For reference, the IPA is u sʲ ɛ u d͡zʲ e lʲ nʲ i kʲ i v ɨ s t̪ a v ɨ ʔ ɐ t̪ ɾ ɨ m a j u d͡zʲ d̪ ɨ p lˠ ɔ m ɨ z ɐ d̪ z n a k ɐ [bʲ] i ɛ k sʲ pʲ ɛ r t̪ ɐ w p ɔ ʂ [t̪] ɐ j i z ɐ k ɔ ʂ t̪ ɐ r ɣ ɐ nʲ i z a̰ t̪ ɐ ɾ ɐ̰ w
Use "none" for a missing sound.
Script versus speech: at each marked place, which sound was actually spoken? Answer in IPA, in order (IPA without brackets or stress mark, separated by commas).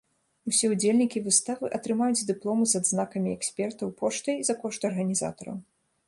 mʲ, t̪